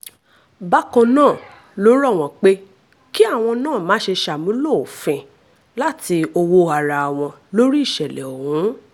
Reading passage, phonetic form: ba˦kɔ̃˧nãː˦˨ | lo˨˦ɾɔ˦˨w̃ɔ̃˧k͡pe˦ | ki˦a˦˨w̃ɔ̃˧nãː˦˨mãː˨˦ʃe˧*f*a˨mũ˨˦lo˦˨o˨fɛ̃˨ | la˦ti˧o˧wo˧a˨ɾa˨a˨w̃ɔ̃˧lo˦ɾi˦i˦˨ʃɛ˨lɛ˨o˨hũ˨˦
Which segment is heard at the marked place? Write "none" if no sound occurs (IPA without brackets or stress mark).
ʃ